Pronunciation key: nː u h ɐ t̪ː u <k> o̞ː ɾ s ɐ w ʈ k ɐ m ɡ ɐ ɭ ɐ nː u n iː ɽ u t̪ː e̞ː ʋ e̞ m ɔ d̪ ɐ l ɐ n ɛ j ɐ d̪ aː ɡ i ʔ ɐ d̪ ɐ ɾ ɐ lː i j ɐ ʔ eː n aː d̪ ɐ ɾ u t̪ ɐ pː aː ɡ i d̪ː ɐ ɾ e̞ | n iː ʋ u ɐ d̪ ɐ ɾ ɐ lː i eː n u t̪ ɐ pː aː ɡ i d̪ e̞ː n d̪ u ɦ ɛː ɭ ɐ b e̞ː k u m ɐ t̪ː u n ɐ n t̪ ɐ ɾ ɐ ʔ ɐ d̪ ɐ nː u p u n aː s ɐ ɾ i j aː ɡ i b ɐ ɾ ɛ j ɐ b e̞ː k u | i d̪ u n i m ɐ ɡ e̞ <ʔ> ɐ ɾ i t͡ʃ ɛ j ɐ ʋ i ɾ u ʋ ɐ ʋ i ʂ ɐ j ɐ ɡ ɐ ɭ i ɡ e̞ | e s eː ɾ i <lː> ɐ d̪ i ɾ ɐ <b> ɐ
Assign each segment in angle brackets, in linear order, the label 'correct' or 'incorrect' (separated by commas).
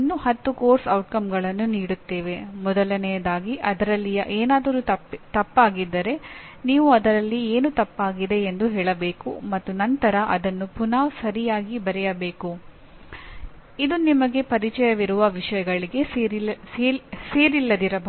correct, incorrect, correct, correct